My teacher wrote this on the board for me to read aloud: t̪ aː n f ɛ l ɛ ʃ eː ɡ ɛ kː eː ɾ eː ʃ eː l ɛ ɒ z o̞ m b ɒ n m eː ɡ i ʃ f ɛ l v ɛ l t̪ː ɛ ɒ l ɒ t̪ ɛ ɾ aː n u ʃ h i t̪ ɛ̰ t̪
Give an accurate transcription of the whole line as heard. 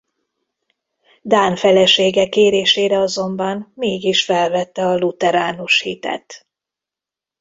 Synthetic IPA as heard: d̪ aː n f ɛ l ɛ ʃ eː ɡ ɛ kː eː ɾ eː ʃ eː ɾ ɛ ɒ z o̞ m b ɒ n m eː ɡ i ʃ f ɛ l v ɛ t̪ː ɛ ɒ l u t̪ ɛ ɾ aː n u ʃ h i t̪ ɛ̰ t̪